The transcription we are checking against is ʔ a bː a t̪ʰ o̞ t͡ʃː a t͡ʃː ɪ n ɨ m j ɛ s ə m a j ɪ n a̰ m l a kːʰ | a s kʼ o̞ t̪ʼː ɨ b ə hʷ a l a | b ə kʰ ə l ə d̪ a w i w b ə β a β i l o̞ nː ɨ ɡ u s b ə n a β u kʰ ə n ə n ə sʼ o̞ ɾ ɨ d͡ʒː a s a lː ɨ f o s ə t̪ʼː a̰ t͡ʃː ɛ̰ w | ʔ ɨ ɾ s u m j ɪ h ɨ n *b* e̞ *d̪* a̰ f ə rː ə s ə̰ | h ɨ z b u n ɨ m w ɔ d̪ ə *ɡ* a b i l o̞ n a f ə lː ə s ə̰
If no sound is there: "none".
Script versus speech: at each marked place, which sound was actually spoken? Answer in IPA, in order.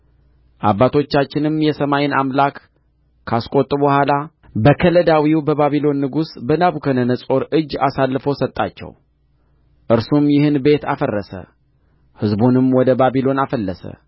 b, t̪, b

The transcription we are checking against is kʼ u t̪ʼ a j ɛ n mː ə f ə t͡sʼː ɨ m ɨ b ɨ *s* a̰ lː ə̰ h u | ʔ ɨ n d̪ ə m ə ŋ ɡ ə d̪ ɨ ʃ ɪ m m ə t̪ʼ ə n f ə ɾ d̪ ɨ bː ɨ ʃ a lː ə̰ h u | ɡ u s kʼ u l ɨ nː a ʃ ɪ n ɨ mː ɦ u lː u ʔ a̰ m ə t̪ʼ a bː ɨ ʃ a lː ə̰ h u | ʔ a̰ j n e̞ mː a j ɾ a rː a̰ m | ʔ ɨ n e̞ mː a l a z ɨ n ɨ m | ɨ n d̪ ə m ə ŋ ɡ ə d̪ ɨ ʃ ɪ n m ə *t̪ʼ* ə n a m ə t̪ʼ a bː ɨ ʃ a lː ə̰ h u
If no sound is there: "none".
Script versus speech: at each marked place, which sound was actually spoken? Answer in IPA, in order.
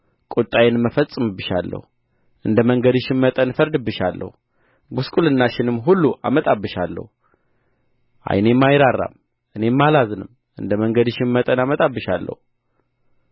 ʃ, t̪ʼ

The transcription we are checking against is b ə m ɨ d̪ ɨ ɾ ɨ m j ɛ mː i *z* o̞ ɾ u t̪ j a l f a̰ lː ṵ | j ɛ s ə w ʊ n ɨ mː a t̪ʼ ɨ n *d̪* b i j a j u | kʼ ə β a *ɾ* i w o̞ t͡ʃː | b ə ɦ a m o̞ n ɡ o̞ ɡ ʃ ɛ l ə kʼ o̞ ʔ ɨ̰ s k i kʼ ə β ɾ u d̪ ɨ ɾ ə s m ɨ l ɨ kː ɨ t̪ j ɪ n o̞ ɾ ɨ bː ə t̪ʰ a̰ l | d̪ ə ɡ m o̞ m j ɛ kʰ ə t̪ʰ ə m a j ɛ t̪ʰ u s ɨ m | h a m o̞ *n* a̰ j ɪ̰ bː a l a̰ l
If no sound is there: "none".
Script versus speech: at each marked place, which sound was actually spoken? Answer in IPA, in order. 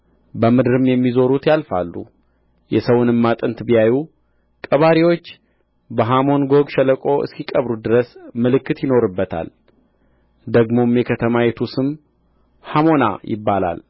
z, t̪, ɾ, n

